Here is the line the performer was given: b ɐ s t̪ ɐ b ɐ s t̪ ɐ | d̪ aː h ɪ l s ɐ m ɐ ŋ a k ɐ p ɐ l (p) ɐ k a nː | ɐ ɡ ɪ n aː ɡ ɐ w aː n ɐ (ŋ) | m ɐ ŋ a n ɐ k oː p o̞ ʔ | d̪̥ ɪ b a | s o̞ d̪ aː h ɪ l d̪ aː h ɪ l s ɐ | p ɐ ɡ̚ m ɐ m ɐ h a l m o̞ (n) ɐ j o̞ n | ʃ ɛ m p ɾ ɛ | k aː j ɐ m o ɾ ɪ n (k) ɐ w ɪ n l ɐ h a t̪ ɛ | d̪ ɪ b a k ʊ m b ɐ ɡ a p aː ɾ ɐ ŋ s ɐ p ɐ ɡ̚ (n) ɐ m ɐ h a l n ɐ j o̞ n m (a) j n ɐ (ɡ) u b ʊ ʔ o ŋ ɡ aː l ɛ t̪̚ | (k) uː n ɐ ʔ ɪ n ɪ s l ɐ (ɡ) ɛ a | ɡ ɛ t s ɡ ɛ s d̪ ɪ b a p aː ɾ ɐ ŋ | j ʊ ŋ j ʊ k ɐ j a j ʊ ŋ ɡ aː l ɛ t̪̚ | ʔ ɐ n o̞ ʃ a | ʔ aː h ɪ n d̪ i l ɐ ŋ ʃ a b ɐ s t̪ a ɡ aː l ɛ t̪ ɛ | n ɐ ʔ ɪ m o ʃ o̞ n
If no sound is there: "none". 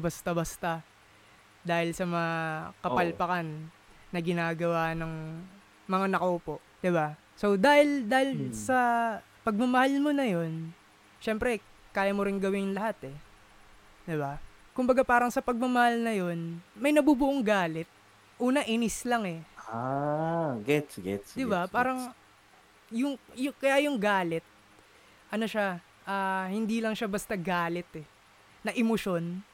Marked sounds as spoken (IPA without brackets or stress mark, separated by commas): p, ŋ, n, ɡ, m, ɐ, b, ʔ, ŋ